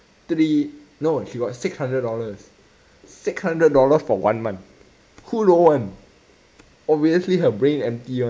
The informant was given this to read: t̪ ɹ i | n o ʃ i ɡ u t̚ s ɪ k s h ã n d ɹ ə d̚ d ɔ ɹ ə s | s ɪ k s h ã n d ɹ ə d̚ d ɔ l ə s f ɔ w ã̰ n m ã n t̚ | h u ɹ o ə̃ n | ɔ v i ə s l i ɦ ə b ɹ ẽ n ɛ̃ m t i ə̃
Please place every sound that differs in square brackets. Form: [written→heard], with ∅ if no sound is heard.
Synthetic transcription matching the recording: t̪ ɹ i | n o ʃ i ɡ [u→ɔ] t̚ s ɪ k s h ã n d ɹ ə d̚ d ɔ [ɹ→l] ə s | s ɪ k s h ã n d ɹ ə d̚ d ɔ l ə s f ɔ w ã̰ n m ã n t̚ | h u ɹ o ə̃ n | ɔ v i ə s l i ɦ ə b ɹ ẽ n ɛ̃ m t i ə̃

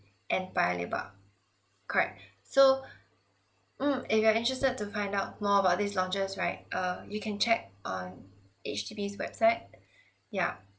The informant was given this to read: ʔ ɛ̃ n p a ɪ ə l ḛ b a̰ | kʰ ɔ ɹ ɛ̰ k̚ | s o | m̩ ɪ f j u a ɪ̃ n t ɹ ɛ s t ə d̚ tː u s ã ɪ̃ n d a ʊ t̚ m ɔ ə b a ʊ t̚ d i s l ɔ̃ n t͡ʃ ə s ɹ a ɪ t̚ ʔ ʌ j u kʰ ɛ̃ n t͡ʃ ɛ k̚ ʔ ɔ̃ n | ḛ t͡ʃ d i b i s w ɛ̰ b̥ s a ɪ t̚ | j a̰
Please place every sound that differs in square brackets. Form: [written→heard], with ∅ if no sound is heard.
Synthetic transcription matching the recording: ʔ ɛ̃ n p a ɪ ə l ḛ b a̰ | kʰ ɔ ɹ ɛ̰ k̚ | s o | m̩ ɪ f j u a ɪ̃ n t ɹ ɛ s t ə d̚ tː u [s→f] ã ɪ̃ n d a ʊ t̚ m ɔ ə b a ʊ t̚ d i s l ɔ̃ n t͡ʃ ə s ɹ a ɪ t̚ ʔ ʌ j u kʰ ɛ̃ n t͡ʃ ɛ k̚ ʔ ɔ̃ n | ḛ t͡ʃ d i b i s w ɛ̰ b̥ s a ɪ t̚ | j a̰

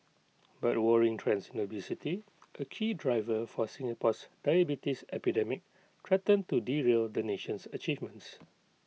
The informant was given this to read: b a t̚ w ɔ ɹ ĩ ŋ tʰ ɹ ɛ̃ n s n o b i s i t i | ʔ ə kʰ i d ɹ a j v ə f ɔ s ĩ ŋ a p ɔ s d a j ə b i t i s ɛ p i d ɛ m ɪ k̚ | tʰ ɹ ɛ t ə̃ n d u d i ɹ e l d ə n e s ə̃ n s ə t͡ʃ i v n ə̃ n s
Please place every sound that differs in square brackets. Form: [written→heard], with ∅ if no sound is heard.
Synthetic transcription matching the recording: b a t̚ w ɔ ɹ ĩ ŋ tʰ ɹ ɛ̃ n s n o b i s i t i | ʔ ə kʰ i d ɹ a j v ə f ɔ s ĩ ŋ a p ɔ s d a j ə b i t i s ɛ p i d ɛ m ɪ k̚ | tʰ ɹ ɛ t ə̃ n [d→t] u d i ɹ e l d ə n e [s→ʃ] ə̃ n s ə t͡ʃ i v [n→m] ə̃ n s

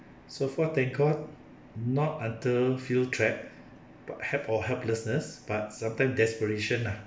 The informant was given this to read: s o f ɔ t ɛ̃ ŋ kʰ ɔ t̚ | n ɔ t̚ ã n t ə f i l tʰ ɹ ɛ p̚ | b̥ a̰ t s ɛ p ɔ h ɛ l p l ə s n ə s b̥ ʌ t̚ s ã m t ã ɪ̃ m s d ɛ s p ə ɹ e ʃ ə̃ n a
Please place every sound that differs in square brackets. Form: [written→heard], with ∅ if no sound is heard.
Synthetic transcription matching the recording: s o f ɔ t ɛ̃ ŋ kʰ ɔ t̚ | n ɔ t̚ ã n t ə f i l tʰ ɹ ɛ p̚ | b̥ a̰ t [s→h] ɛ p ɔ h ɛ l p l ə s n ə s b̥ [ʌ→a] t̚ s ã m t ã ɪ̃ m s d ɛ s p ə ɹ e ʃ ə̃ n a

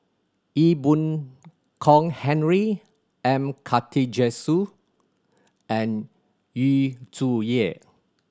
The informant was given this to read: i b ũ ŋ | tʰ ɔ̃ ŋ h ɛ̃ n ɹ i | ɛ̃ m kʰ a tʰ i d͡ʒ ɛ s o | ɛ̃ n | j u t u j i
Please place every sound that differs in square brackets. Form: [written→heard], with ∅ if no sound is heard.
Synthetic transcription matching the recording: i b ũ [ŋ→n] | [tʰ→kʰ] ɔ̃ ŋ h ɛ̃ n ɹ i | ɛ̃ m kʰ a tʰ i d͡ʒ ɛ s [o→u] | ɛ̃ n | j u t u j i

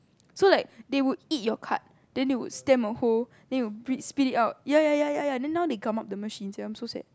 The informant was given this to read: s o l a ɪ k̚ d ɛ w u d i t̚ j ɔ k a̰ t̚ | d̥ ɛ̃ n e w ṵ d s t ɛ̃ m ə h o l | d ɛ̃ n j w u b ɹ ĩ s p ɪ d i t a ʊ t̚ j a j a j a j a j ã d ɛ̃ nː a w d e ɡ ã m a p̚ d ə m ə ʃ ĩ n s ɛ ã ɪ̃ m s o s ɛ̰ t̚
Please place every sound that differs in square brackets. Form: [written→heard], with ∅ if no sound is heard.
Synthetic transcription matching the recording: s o l a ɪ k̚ d [ɛ→e] w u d i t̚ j ɔ [k→kʰ] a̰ t̚ | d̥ ɛ̃ n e w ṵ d s t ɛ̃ m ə h o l | d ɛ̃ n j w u b ɹ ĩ s p [ɪ→i] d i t a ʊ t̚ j a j a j a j a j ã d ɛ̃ nː a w d e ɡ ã m a p̚ d ə m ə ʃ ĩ n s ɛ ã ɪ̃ m s o s ɛ̰ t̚

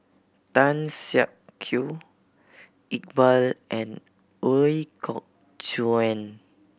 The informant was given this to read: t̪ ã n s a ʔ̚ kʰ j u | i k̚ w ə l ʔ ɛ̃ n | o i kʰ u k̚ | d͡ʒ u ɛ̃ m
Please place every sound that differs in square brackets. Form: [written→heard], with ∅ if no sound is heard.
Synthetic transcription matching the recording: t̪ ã n s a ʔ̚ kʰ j u | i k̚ [w→b] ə l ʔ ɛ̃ n | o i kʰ [u→ɔ] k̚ | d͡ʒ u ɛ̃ [m→n]

